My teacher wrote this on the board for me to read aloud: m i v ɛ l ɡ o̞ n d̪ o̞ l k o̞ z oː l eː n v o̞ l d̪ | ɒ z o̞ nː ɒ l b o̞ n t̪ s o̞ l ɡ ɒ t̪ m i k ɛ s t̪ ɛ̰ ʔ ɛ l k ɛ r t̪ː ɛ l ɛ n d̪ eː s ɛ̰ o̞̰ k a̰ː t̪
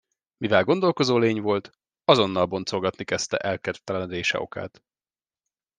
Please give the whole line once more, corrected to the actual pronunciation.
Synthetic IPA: m i v ɛ l ɡ o̞ n d̪ o̞ l k o̞ z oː l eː ɲ v o̞ l t̪ | ɒ z o̞ nː ɒ l b o̞ n t̪ s o̞ l ɡ ɒ t̪ n i k ɛ s t̪ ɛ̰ ʔ ɛ l k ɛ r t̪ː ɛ l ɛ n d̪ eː ʃ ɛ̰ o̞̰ k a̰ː t̪